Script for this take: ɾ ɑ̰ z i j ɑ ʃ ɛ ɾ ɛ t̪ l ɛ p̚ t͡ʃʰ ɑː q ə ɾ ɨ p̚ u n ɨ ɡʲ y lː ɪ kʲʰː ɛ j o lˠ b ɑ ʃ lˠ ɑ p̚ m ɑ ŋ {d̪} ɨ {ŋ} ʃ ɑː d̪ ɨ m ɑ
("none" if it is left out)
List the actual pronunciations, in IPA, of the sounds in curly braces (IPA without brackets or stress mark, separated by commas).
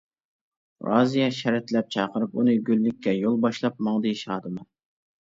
d̪, none